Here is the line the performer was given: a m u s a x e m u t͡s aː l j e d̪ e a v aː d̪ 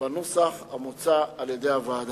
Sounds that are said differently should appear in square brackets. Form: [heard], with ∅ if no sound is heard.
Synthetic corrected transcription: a [n] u s a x [a] m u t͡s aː l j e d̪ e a v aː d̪